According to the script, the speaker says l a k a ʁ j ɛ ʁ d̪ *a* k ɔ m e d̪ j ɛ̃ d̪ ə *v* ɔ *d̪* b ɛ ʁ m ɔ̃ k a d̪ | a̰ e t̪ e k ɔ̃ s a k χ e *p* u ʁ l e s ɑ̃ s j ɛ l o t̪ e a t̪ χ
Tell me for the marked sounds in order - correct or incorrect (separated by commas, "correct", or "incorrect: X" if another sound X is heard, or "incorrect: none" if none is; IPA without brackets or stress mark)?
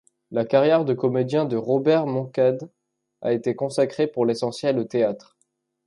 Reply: incorrect: ə, incorrect: ʁ, incorrect: none, correct